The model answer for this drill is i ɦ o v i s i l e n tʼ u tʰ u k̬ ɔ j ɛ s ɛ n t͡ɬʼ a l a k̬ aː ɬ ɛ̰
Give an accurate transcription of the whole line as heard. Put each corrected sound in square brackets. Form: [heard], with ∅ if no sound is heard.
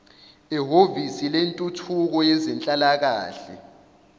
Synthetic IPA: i ɦ o v i s i l e n tʼ u tʰ u k̬ ɔ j ɛ [z] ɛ n t͡ɬʼ a l a k̬ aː ɬ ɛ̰